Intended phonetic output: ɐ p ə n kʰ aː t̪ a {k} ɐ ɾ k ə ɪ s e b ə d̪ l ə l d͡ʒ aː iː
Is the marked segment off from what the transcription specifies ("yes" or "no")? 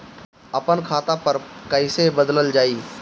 yes